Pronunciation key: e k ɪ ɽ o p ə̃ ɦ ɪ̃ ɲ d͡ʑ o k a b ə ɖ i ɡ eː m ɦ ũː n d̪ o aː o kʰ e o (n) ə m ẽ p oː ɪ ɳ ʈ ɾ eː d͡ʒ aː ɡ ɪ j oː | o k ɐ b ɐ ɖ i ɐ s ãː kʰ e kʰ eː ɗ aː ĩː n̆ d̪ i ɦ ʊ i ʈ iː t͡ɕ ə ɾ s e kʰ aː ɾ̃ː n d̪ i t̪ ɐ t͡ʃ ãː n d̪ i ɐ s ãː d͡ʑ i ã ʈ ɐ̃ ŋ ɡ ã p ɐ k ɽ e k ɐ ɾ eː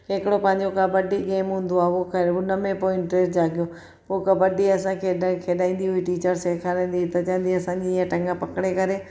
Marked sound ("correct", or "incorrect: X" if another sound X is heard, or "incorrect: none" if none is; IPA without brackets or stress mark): correct